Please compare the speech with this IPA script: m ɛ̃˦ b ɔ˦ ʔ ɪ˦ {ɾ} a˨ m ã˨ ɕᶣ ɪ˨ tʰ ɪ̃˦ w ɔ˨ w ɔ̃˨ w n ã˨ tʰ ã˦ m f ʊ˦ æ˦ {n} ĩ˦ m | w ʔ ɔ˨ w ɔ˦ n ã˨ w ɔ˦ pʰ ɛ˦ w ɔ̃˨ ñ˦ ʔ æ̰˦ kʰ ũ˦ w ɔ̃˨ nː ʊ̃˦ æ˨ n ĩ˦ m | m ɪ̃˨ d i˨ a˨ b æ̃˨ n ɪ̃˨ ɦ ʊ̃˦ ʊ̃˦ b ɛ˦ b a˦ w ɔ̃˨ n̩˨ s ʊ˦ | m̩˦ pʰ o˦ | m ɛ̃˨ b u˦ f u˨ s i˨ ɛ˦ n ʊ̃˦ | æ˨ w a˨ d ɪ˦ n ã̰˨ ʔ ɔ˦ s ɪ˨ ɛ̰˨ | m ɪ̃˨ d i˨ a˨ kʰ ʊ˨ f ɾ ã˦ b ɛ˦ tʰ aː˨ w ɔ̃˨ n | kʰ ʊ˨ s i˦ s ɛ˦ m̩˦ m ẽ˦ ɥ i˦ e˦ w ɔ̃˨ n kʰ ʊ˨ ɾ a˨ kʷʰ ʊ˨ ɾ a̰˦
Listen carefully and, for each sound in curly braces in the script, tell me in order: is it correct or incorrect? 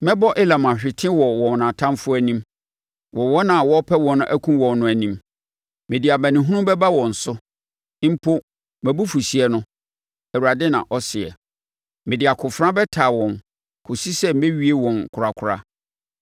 incorrect: l, correct

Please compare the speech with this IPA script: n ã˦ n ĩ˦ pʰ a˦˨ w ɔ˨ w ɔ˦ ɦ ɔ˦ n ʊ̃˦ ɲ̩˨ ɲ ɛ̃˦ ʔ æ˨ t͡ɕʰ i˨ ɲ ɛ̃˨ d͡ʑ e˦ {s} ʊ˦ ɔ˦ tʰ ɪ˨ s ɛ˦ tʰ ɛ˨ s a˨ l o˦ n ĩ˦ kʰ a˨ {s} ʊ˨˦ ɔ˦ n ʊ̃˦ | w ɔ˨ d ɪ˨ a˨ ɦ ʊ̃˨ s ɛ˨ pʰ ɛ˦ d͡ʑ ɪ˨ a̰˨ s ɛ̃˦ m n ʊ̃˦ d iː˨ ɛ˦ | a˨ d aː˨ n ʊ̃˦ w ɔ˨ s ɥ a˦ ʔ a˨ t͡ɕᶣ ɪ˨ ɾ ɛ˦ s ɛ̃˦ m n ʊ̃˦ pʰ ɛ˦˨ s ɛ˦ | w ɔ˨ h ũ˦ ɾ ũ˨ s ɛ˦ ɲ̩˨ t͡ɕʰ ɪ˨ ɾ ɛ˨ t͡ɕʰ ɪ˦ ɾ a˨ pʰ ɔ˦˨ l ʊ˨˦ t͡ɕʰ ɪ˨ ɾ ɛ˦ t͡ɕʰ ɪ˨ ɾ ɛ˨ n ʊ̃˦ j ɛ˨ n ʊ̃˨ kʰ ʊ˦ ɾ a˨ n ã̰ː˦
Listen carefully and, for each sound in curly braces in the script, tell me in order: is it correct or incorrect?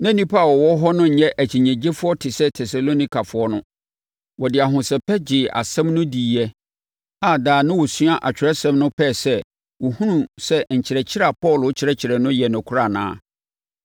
incorrect: f, incorrect: f

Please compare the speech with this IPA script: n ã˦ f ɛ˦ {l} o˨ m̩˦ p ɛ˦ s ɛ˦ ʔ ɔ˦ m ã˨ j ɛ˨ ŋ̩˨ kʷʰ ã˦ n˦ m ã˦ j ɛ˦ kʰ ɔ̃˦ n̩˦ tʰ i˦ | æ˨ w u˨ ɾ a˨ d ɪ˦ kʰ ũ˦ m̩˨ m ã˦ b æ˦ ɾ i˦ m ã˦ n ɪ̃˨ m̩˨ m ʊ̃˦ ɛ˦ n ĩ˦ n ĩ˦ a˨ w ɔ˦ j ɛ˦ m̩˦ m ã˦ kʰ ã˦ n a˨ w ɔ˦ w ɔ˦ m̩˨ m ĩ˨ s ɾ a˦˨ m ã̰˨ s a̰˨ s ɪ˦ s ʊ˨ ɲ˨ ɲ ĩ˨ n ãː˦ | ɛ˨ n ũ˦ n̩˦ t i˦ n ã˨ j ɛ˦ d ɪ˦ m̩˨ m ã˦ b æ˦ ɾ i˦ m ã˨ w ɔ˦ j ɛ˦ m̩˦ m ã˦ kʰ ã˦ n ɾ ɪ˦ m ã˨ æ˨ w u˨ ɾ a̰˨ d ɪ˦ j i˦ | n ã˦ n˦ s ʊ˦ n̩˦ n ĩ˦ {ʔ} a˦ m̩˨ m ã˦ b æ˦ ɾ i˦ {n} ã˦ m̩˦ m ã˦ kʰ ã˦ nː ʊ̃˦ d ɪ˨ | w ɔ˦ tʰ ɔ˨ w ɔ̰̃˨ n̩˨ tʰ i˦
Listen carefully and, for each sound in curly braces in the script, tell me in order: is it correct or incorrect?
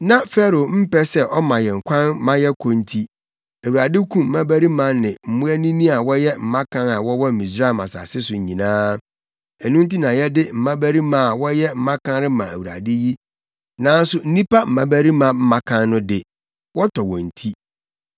incorrect: ɾ, incorrect: p, incorrect: m

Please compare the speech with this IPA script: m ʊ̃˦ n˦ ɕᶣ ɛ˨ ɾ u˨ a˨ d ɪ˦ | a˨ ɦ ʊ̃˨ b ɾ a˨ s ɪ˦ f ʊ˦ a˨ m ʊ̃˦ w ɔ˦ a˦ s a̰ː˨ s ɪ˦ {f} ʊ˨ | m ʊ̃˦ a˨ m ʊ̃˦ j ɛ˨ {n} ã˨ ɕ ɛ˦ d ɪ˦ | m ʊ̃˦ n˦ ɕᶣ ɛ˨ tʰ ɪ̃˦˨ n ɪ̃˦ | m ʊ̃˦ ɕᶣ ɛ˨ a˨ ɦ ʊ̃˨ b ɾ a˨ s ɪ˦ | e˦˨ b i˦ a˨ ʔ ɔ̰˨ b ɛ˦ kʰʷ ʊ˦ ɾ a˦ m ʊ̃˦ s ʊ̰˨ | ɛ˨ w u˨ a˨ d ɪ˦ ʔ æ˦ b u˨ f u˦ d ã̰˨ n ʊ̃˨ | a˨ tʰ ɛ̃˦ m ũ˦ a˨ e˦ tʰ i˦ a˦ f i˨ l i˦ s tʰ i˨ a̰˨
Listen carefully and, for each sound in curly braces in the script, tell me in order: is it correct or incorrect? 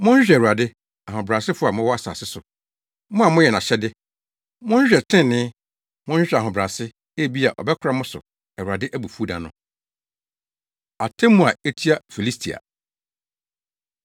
incorrect: s, correct

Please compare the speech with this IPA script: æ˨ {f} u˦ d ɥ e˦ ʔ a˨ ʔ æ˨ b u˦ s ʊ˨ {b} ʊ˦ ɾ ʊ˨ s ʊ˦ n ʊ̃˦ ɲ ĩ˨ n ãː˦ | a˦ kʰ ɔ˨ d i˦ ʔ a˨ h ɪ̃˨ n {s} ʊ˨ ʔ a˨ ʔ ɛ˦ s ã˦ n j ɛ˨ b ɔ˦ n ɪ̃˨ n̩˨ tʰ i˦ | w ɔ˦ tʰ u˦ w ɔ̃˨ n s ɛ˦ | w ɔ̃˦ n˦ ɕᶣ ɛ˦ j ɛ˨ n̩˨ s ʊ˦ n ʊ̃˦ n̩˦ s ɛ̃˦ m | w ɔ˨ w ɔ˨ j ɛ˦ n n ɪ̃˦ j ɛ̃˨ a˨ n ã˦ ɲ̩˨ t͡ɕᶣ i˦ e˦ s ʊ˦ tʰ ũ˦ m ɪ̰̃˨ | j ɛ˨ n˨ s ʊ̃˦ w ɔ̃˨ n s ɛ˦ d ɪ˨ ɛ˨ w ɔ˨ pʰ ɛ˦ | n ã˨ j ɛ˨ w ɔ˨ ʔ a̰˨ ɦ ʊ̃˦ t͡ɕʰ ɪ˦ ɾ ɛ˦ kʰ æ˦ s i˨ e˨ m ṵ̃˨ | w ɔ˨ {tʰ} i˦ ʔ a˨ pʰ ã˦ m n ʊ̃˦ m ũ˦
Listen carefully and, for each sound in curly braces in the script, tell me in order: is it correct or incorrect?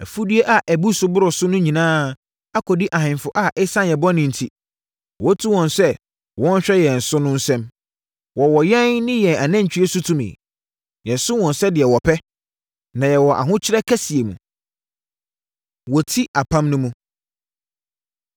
correct, correct, incorrect: f, correct

